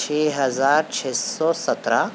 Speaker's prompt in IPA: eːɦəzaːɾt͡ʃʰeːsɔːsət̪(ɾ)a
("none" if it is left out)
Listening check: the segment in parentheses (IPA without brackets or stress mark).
ɾ